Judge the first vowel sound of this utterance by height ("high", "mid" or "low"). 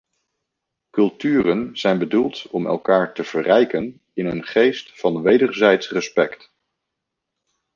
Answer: mid